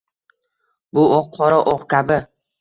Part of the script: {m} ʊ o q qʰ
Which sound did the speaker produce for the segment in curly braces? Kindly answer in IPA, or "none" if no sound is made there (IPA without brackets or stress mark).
b